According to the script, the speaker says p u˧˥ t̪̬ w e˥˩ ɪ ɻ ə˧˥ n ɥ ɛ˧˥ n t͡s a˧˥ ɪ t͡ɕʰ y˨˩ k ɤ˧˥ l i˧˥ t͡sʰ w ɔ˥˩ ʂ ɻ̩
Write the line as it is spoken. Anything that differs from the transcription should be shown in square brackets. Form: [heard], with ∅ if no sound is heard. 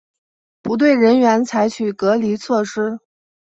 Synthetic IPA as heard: p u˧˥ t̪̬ w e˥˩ ɪ ɻ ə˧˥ n ɥ ɛ˧˥ n [t͡sʰ] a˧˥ ɪ t͡ɕʰ y˨˩ k ɤ˧˥ l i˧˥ t͡sʰ w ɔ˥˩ ʂ ɻ̩